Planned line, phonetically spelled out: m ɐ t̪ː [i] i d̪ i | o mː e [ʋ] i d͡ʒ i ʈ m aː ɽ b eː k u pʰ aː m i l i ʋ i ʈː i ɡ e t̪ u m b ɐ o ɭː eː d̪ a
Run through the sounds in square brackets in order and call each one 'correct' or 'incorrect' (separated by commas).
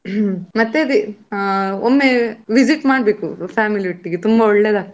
incorrect, correct